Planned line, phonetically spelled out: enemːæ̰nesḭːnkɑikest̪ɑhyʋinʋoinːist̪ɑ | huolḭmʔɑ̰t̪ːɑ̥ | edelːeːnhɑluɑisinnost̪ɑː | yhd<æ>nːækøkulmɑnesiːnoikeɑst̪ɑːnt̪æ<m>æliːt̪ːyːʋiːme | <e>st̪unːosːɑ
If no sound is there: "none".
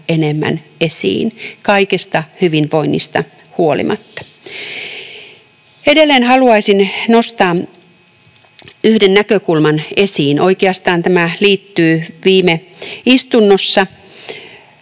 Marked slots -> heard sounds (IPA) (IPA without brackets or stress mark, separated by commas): e, m, i